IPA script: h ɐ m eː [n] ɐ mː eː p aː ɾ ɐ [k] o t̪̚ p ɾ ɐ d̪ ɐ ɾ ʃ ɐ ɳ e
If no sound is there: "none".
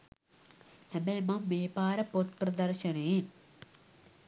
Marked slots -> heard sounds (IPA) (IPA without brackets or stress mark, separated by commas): m, p